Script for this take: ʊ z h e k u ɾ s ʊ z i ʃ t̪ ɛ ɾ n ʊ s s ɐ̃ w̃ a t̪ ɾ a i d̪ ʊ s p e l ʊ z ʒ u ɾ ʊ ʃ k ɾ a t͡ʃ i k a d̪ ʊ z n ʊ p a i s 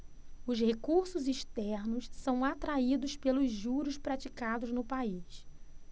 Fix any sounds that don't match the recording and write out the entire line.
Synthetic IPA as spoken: ʊ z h e k u ɾ s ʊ z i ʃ t̪ ɛ ɾ n ʊ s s ɐ̃ w̃ a t̪ ɾ a i d̪ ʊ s p e l ʊ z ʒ u ɾ ʊ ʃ p ɾ a t͡ʃ i k a d̪ ʊ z n ʊ p a i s